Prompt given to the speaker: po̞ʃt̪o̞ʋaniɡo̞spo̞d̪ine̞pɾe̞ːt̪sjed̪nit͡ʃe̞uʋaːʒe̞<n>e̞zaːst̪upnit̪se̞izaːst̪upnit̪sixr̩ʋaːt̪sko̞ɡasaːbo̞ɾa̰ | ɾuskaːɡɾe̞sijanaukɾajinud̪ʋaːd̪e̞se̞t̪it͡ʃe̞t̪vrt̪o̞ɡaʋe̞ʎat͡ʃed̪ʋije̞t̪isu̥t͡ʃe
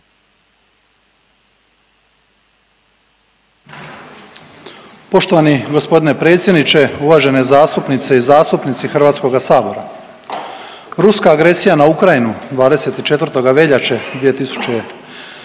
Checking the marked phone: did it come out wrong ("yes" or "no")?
no